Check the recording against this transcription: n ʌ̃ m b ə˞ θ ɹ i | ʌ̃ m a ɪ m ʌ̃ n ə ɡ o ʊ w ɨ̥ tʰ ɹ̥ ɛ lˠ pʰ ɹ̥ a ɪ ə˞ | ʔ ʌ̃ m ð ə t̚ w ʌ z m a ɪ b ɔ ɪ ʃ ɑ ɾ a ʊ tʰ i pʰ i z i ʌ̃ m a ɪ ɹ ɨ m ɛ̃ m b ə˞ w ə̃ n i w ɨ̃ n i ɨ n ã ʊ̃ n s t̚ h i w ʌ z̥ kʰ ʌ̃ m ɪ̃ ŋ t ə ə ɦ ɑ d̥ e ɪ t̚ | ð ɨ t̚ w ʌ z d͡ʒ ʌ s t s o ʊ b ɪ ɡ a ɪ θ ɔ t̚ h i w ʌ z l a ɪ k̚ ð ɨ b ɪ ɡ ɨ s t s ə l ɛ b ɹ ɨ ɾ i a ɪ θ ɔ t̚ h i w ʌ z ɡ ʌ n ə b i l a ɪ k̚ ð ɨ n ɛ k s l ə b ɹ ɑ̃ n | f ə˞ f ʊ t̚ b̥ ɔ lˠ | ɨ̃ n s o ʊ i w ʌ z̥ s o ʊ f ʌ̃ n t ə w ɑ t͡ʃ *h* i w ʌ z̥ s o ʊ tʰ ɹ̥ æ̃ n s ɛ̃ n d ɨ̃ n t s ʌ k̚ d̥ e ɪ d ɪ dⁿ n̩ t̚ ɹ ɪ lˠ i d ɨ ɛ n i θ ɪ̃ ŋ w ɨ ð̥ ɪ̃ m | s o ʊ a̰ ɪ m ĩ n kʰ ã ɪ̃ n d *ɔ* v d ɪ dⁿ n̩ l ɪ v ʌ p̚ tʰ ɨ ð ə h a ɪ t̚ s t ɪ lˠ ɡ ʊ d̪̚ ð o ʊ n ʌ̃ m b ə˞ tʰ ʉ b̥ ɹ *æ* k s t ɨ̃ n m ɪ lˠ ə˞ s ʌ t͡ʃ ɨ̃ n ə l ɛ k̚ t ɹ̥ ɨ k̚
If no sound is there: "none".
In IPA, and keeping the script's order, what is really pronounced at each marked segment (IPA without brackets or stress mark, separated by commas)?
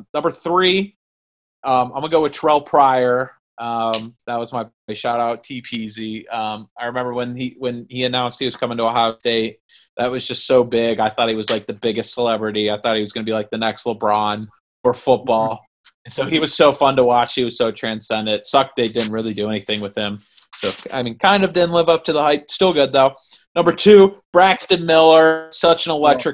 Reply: h, ʌ, æ